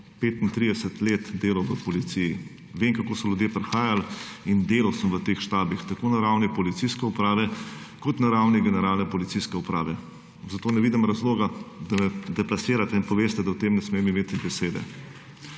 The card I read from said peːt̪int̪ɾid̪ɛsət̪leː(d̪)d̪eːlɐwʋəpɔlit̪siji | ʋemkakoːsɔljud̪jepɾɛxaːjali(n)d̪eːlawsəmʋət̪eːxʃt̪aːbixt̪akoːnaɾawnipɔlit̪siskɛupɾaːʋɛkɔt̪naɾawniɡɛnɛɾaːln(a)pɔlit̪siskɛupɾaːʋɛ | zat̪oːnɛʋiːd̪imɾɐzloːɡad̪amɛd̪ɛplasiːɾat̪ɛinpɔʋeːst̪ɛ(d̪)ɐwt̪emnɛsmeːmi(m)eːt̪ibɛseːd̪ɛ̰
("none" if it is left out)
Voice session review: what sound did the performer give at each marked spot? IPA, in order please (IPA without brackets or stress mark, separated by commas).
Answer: t̪, n, ɛ, d̪, m